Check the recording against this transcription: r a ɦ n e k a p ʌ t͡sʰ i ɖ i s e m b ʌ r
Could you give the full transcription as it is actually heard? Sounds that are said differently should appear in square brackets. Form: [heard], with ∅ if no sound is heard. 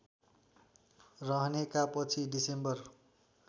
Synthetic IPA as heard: r [ʌ] ɦ n e k a p ʌ t͡sʰ i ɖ i s e m b ʌ r